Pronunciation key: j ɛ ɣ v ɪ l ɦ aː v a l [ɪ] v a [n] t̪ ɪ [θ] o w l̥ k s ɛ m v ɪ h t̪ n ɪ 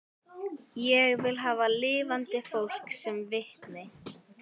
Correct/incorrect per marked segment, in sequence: incorrect, correct, incorrect

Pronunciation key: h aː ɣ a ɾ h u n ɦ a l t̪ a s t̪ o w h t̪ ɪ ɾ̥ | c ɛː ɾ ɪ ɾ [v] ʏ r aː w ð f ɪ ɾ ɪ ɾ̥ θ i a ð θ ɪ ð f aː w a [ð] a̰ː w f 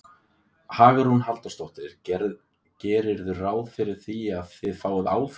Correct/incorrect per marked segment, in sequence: incorrect, correct

